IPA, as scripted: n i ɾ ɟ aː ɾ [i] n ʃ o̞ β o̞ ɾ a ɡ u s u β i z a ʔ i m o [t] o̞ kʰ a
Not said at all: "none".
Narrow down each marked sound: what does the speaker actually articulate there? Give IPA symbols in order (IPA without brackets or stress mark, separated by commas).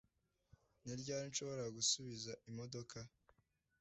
i, d